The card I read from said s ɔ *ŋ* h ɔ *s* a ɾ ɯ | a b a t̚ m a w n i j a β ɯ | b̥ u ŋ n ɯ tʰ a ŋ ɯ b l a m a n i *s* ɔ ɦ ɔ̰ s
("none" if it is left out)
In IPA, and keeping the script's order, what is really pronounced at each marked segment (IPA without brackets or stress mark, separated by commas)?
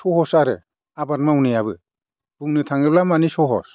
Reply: none, s, s